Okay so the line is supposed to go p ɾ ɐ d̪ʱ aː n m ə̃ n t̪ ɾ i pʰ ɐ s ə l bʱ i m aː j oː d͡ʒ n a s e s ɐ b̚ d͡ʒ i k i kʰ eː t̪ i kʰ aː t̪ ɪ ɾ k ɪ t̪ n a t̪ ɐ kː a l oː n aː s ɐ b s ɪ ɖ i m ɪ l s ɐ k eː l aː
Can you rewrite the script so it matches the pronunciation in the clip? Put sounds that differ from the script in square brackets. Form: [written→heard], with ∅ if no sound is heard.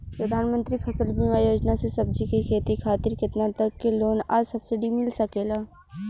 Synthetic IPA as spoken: p ɾ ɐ d̪ʱ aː n m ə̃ n t̪ ɾ i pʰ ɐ s ə l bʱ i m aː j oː d͡ʒ n a s e s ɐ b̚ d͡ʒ i k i kʰ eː t̪ i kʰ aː t̪ ɪ ɾ k ɪ t̪ n a t̪ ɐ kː [a→e] l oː n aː s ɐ b s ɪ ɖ i m ɪ l s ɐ k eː l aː